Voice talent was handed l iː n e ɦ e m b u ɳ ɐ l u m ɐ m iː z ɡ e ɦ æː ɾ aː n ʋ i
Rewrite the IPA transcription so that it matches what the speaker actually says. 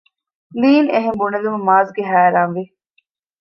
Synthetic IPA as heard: l iː n e ɦ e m b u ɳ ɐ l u m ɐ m aː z ɡ e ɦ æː ɾ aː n ʋ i